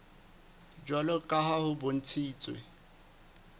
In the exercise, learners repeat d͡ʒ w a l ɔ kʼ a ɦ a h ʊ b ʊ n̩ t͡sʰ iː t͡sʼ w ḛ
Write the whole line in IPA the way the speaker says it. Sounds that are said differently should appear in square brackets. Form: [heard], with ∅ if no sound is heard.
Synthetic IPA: d͡ʒ w a l ɔ kʼ a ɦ a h ʊ b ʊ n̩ t͡sʰ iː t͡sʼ w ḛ